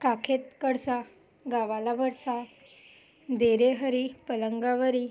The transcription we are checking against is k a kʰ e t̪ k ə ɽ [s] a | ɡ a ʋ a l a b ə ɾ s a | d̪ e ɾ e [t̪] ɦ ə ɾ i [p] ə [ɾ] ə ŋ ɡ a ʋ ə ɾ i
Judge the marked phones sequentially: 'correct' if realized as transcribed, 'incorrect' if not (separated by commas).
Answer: correct, incorrect, correct, incorrect